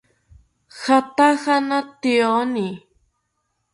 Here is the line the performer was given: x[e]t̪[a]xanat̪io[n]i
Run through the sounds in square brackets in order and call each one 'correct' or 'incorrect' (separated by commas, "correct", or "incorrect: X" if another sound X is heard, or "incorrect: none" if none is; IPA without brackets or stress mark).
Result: incorrect: a, correct, correct